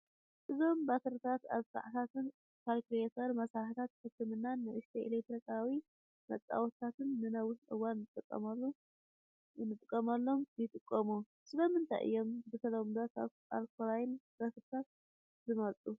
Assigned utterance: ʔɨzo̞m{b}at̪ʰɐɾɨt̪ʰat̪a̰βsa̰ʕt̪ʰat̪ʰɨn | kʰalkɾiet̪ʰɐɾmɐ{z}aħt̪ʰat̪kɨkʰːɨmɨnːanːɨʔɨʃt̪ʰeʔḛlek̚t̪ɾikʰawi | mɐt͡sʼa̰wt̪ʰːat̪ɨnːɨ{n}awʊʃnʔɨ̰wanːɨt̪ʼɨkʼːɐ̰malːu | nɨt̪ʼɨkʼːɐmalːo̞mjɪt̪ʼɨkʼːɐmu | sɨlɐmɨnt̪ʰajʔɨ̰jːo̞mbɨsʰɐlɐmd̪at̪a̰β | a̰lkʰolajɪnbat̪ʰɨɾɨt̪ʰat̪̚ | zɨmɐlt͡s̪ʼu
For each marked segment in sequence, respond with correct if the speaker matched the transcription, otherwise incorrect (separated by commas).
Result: correct, incorrect, correct